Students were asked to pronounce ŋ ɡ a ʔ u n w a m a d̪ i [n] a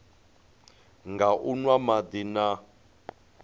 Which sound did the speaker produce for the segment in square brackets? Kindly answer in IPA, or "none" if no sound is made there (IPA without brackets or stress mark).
n